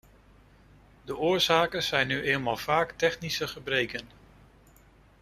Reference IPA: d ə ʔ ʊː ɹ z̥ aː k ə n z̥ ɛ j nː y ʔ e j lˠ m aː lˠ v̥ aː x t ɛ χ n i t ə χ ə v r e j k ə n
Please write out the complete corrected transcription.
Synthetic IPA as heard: d ə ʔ ʊː ɹ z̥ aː k ə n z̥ ɛ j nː y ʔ e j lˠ m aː lˠ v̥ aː k t ɛ χ n i s ə χ ə b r e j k ə n